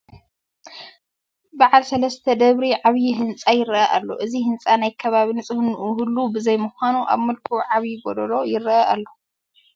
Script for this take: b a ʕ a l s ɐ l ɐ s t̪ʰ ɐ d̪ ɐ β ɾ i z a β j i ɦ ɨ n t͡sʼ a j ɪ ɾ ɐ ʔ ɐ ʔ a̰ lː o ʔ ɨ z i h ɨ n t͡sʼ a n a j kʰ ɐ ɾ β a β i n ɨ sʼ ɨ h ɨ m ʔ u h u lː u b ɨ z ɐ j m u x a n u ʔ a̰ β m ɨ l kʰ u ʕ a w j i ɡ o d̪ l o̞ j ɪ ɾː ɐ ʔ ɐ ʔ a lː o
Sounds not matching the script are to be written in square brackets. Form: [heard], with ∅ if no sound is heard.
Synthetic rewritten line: b a ʕ a l s ɐ l ɐ s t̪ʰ ɐ d̪ ɐ β ɾ i [ʕ] a β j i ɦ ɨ n t͡sʼ a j ɪ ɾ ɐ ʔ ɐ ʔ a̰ lː o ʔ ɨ z i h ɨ n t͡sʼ a n a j kʰ ɐ [∅] β a β i n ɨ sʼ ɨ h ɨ [n] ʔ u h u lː u b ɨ z ɐ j m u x a n u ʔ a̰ β m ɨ l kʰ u ʕ a [β] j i ɡ o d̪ l o̞ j ɪ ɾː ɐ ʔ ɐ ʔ a lː o